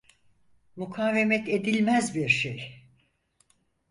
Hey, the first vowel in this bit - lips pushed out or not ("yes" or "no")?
yes